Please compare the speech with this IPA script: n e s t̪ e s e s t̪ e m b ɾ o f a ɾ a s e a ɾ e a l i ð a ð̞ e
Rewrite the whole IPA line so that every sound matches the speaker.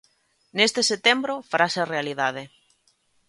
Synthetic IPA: n e s t̪ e s e t̪ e m b ɾ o f a ɾ a s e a r e a l i ð a ð̞ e